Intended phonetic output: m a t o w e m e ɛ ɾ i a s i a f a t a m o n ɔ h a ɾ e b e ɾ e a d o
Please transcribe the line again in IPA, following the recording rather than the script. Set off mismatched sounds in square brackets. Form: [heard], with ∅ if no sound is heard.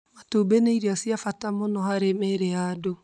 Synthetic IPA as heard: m a t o [b] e [n] e [i] ɾ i a s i a f a t a m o n ɔ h a ɾ e [m] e ɾ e a d o